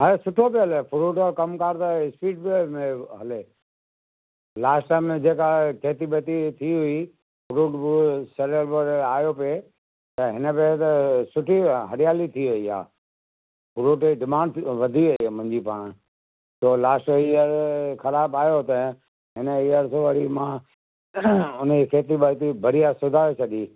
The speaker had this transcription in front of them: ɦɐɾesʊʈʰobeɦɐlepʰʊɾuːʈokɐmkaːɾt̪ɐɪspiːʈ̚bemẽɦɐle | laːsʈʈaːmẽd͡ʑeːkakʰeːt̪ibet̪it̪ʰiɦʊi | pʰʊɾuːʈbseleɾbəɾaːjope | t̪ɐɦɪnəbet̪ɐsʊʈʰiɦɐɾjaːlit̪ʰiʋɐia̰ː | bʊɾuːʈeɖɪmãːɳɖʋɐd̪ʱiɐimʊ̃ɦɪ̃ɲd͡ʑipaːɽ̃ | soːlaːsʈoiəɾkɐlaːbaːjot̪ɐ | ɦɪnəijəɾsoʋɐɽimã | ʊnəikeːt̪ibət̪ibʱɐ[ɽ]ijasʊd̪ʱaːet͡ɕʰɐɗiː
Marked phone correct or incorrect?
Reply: incorrect